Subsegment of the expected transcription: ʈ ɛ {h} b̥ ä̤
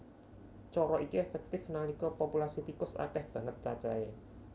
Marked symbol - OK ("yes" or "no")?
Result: yes